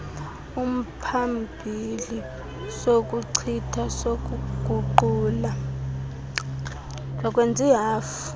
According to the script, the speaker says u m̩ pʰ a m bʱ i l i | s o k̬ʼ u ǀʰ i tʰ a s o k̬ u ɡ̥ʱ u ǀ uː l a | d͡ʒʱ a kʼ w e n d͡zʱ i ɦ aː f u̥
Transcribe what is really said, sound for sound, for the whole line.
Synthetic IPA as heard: u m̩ pʰ a m bʱ i l i | s o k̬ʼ u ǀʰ i tʰ a s o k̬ u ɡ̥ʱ u ǃ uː l a | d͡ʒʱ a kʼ w e n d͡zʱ i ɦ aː f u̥